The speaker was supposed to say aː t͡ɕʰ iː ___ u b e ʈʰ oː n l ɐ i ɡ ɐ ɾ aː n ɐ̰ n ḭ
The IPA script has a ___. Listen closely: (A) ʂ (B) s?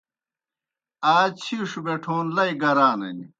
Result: A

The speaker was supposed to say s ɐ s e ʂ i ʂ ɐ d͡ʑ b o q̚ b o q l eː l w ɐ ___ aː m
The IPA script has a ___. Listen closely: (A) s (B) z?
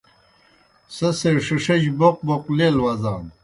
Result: B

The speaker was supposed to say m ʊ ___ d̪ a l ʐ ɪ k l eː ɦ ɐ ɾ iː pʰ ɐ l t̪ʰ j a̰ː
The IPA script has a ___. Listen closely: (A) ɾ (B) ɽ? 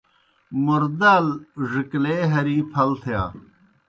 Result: A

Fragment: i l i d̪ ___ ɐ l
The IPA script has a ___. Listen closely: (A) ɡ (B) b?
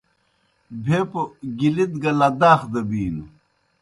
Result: A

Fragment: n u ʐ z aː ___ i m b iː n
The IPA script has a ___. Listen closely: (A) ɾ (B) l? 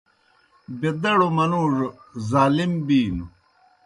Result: B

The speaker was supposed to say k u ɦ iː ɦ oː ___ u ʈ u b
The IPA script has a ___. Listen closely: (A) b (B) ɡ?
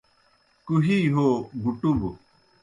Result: B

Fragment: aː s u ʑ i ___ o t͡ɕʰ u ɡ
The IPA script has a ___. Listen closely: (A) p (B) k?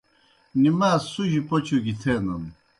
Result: A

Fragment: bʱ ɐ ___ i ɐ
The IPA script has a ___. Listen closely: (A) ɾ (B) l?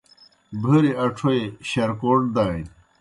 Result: A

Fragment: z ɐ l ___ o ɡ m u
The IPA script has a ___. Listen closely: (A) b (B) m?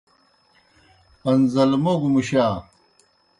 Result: B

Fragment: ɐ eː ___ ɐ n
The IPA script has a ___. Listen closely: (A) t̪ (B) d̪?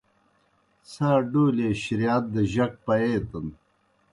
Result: A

